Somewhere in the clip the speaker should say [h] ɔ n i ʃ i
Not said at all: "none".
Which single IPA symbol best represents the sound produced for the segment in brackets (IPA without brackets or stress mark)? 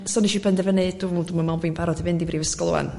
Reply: s